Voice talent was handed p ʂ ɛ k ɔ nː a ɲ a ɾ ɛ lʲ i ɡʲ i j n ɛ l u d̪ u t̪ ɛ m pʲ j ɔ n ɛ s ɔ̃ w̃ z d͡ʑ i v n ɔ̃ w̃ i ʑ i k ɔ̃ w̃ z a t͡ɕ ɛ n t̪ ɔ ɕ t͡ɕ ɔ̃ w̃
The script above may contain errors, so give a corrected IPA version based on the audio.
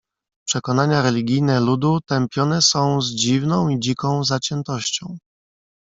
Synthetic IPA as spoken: p ʂ ɛ k ɔ n a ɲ a ɾ ɛ lʲ i ɡʲ i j n ɛ l u d̪ u t̪ ɛ m pʲ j ɔ n ɛ s ɔ̃ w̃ z d͡ʑ i v n ɔ̃ w̃ i d͡ʑ i k ɔ̃ w̃ z a t͡ɕ ɛ n t̪ ɔ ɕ t͡ɕ ɔ̃ w̃